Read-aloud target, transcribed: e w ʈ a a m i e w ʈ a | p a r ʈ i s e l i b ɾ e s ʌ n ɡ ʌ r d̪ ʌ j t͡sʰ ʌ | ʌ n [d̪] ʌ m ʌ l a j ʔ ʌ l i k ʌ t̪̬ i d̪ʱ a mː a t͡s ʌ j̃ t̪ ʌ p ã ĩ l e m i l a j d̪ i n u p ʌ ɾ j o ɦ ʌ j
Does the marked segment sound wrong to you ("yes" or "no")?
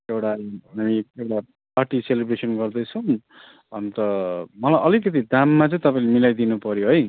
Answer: yes